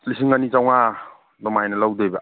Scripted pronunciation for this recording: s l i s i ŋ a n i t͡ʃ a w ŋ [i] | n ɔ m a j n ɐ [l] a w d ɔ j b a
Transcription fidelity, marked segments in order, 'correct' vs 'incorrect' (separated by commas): incorrect, correct